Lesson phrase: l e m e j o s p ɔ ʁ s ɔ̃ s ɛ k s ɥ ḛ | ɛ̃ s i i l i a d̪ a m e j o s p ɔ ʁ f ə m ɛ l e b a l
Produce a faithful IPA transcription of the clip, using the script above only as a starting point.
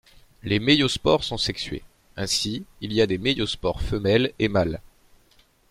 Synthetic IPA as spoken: l e m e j o s p ɔ ʁ s ɔ̃ s ɛ k s ɥ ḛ | ɛ̃ s i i l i a d̪ e m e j o s p ɔ ʁ f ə m ɛ l e m a l